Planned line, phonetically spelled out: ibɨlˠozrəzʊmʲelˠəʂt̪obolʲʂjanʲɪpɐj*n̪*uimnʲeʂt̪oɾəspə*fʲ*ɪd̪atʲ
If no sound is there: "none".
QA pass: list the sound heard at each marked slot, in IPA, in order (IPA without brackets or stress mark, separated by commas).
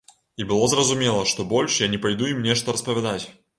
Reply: d̪, vʲ